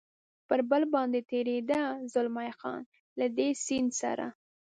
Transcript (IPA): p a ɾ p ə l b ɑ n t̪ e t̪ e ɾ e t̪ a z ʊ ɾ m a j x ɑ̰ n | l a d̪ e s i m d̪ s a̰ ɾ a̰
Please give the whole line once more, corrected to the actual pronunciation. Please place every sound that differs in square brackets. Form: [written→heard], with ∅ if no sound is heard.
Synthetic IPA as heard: p [a→ə] ɾ [p→b] ə l b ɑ n [t̪→d̪] e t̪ e ɾ e [t̪→d̪] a z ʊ [ɾ→l] m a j x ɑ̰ n | l a d̪ e s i [m→n] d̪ s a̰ ɾ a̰